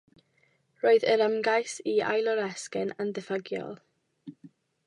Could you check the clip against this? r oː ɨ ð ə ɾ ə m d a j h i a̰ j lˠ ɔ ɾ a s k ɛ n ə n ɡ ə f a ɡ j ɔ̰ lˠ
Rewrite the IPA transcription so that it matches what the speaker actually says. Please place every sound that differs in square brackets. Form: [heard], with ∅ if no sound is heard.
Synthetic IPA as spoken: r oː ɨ ð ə ɾ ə m [ɡ] a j [s] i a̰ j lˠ ɔ ɾ [ɛ] s k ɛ n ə n [d] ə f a ɡ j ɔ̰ lˠ